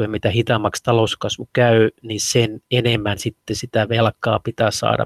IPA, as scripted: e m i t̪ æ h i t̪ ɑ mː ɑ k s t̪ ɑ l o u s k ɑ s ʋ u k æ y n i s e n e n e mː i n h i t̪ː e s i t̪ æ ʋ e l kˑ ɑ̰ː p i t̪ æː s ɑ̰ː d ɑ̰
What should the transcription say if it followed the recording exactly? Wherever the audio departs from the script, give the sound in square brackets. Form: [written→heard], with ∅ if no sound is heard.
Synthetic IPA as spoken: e m i t̪ æ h i t̪ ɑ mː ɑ k s t̪ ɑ l o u s k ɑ s ʋ u k æ y n i s e n e n e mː [i→æ] n [h→s] i t̪ː e s i t̪ æ ʋ e l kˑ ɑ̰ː p i t̪ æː s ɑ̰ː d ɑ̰